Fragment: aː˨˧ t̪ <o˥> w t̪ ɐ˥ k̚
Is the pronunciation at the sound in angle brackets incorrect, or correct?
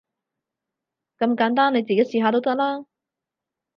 correct